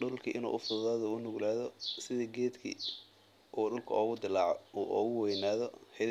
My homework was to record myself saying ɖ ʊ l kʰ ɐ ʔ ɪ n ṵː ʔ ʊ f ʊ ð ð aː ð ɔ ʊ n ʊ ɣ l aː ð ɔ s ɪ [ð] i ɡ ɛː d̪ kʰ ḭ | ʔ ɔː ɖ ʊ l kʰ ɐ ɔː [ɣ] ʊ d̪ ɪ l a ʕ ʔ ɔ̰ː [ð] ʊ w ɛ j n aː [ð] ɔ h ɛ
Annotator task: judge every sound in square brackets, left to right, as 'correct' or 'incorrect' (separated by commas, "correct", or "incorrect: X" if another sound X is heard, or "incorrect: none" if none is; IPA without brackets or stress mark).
correct, correct, incorrect: ɣ, correct